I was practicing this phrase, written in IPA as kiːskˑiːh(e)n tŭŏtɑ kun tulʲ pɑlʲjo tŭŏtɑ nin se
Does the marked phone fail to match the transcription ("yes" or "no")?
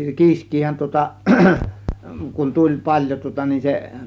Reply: yes